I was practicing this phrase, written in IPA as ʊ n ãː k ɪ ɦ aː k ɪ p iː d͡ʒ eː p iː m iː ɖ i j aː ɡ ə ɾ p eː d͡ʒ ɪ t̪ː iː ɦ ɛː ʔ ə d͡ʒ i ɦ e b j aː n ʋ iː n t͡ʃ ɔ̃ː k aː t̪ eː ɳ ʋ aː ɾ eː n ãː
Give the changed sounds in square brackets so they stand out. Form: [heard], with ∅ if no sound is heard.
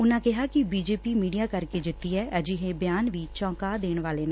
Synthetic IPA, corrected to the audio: ʊ n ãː k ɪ ɦ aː k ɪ [b] iː d͡ʒ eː p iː m iː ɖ i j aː [k] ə ɾ [k] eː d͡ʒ ɪ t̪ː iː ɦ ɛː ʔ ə d͡ʒ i ɦ e b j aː n ʋ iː [∅] t͡ʃ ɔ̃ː k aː [d̪] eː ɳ ʋ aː [l] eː n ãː